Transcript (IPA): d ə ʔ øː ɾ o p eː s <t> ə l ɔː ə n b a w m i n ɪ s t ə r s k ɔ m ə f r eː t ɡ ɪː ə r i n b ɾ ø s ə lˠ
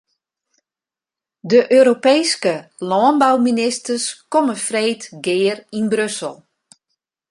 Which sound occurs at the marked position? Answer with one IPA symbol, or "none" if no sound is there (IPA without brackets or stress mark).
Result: k